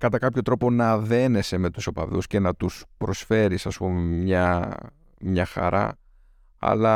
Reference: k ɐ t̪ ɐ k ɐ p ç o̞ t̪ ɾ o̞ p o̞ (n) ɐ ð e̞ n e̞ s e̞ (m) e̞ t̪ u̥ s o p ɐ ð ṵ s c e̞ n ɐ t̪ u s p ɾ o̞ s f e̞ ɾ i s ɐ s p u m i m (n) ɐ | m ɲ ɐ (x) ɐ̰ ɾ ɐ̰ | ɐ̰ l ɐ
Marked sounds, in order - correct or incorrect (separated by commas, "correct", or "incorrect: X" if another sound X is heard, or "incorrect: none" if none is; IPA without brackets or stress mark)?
correct, correct, incorrect: ɲ, correct